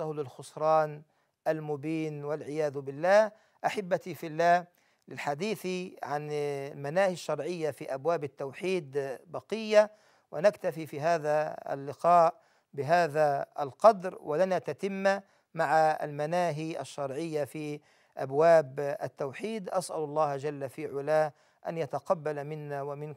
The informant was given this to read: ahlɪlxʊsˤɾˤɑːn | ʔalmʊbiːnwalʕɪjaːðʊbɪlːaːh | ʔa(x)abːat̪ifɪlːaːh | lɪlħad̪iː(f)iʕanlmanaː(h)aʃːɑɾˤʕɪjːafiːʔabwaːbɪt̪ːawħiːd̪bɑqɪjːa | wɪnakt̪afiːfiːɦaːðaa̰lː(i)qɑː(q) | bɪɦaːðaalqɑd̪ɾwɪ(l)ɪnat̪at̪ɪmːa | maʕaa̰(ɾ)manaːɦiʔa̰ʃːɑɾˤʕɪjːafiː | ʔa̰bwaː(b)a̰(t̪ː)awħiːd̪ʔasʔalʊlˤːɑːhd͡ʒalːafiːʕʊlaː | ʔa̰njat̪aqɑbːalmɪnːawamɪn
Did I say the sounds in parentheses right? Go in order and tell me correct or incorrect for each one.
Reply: incorrect, incorrect, correct, incorrect, incorrect, correct, incorrect, correct, correct

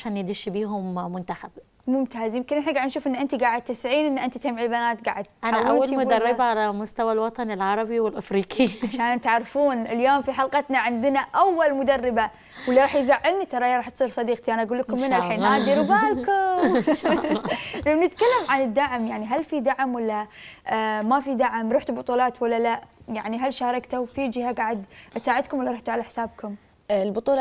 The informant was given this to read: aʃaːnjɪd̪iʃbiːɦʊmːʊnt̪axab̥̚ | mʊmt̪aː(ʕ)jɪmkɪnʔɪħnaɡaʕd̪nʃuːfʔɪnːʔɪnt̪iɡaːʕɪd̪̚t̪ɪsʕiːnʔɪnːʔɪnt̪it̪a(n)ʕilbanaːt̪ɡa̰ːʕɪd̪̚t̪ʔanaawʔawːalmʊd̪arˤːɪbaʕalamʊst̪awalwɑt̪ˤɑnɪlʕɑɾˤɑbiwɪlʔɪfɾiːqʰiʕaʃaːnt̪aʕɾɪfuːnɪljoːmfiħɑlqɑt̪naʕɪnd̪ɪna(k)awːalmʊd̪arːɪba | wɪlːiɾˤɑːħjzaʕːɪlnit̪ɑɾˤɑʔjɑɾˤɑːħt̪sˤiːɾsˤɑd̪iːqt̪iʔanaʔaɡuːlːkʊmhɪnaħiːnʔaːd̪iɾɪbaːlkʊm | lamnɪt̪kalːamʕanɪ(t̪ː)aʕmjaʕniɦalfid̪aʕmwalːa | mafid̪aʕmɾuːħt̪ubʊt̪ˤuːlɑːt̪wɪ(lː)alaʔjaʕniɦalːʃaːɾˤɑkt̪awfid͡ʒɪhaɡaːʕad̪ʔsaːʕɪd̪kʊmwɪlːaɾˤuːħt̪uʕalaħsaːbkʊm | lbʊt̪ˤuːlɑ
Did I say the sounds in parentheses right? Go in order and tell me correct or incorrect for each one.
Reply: incorrect, incorrect, incorrect, incorrect, correct

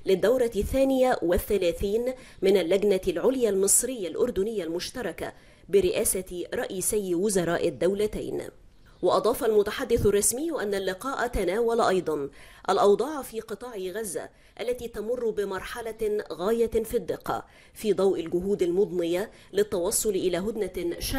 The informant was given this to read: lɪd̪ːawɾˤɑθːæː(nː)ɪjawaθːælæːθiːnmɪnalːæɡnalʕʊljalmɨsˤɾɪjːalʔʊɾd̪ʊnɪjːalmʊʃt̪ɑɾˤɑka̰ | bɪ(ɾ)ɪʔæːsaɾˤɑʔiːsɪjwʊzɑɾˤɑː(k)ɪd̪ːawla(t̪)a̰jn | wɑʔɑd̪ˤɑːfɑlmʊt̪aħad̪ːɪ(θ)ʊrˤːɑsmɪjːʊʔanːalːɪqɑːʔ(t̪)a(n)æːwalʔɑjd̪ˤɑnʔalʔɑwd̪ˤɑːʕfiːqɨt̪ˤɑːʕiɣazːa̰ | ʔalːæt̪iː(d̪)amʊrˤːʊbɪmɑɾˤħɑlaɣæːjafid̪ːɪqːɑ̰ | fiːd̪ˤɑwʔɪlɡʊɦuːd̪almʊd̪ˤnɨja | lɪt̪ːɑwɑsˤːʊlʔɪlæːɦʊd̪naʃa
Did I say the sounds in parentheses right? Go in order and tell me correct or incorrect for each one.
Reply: incorrect, correct, incorrect, correct, correct, correct, correct, incorrect

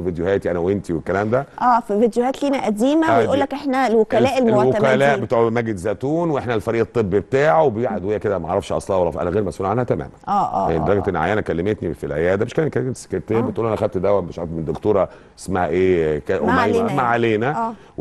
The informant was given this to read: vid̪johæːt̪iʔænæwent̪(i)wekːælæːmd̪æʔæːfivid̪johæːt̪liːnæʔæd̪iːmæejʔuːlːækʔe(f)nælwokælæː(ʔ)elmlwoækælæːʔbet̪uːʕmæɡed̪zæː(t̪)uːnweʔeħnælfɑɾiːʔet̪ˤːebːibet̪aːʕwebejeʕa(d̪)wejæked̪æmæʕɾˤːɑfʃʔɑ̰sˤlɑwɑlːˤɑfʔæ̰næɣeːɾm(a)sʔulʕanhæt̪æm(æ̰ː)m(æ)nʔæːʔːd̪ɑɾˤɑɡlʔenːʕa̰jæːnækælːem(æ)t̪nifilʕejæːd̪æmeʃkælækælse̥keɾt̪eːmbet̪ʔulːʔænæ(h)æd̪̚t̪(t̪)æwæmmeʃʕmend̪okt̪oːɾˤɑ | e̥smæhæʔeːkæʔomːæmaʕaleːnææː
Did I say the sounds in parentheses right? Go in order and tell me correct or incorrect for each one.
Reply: correct, incorrect, correct, correct, correct, incorrect, correct, correct, incorrect, incorrect, incorrect

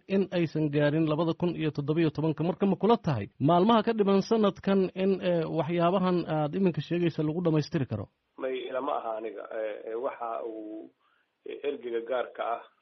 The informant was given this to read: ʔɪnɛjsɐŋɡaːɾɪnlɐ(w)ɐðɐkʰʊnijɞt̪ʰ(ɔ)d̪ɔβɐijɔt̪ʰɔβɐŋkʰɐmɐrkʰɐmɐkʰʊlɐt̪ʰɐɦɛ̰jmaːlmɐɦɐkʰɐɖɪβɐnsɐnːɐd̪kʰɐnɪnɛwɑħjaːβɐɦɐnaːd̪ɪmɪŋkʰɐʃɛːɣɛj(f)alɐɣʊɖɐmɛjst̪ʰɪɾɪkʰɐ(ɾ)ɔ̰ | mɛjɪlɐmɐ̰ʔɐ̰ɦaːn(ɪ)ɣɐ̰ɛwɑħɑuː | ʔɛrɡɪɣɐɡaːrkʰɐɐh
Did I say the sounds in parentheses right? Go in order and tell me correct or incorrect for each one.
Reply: incorrect, correct, incorrect, correct, correct

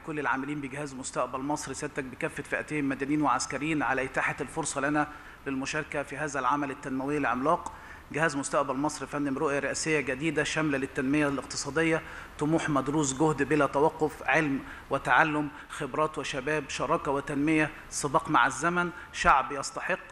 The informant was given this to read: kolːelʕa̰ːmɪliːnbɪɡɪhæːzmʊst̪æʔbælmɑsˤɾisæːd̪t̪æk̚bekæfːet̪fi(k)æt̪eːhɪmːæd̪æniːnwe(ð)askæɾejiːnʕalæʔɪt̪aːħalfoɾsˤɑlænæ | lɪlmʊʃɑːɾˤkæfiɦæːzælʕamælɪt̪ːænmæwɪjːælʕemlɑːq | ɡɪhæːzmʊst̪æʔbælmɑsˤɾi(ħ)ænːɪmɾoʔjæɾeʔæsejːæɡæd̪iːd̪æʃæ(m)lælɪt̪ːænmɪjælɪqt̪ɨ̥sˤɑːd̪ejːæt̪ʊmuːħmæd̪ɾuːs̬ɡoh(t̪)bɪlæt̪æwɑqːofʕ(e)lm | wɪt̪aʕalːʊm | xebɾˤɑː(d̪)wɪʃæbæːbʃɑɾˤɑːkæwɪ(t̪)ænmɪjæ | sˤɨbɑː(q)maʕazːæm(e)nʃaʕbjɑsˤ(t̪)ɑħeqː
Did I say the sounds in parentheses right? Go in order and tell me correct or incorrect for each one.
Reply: incorrect, incorrect, incorrect, correct, incorrect, correct, incorrect, correct, correct, incorrect, correct

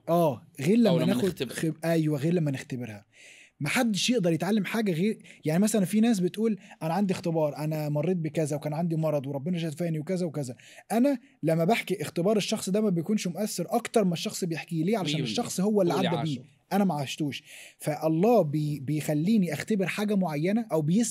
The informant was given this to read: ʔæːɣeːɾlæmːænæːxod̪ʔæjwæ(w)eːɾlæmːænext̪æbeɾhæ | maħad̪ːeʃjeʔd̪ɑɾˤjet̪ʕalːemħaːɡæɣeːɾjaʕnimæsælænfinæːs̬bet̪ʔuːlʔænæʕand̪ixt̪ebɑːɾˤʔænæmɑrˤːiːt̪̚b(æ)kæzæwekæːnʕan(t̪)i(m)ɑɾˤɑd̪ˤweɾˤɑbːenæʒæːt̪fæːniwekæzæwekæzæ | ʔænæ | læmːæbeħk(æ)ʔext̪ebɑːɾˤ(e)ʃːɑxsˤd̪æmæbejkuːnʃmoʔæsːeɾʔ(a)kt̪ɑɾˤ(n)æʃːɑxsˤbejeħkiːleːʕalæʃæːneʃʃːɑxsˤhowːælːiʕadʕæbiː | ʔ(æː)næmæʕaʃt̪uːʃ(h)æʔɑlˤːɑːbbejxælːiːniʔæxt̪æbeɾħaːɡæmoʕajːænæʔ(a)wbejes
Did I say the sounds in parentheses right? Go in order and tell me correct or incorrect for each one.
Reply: incorrect, incorrect, incorrect, correct, incorrect, correct, incorrect, incorrect, incorrect, incorrect, incorrect

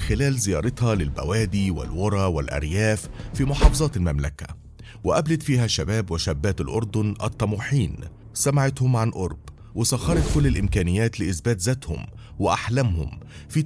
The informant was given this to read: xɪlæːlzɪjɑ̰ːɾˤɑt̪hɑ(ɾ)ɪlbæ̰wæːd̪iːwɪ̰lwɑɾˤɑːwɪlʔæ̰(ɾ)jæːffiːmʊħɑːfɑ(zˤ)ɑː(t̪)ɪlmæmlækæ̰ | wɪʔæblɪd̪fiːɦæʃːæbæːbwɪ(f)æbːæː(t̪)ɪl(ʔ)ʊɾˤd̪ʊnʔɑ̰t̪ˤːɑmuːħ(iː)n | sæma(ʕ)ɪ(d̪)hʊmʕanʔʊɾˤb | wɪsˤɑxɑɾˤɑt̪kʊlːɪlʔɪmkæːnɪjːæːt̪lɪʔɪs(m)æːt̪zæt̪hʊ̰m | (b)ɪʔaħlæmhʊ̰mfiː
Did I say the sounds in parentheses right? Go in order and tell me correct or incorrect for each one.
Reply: incorrect, correct, correct, correct, incorrect, correct, correct, correct, correct, incorrect, incorrect, incorrect

